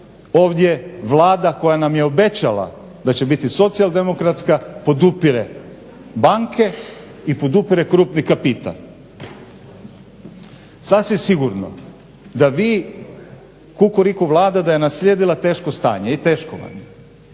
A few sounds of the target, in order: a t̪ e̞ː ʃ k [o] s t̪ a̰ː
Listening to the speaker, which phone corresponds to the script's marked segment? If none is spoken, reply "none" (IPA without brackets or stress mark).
o